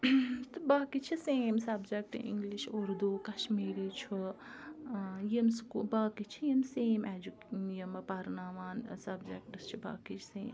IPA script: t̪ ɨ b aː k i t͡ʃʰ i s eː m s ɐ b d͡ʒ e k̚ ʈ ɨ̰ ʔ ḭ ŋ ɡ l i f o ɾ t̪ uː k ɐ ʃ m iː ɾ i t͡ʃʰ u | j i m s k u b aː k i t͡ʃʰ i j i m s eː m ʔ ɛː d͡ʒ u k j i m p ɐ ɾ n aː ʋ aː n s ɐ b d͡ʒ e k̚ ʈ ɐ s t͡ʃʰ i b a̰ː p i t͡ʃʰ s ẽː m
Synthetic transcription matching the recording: t̪ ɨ b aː k i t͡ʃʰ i s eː m s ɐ b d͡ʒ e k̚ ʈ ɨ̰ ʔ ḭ ŋ ɡ l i ʃ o ɾ d̪ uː k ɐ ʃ m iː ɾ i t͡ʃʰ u | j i m s k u b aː k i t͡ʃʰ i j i m s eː m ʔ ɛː d͡ʒ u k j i m p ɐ ɾ n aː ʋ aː n s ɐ b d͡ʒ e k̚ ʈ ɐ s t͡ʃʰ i b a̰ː k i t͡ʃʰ s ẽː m